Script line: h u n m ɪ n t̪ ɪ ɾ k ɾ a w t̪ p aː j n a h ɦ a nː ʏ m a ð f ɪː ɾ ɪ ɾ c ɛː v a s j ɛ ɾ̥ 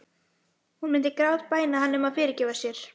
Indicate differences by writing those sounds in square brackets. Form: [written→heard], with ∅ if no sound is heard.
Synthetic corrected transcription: h u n m ɪ n t̪ ɪ [ɾ→∅] k ɾ a w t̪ p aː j n a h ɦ a nː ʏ m a ð f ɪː ɾ ɪ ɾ c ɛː v a s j ɛ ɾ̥